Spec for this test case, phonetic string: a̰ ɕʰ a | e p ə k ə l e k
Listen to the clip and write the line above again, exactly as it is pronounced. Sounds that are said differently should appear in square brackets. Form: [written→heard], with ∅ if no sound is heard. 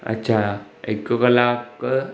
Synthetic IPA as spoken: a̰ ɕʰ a | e [p→k] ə k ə l [e→a] k